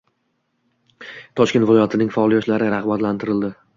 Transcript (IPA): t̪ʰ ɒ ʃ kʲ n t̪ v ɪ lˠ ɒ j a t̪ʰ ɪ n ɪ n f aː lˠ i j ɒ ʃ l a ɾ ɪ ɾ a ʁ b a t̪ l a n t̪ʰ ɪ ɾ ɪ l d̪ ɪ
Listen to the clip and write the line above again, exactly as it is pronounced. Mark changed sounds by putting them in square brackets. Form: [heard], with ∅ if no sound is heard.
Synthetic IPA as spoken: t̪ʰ ɒ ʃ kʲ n t̪ v ɪ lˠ ɒ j a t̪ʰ ɪ n ɪ [ŋ] f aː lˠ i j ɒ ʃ l a ɾ ɪ ɾ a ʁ b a t̪ l a n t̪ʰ ɪ ɾ ɪ l d̪ ɪ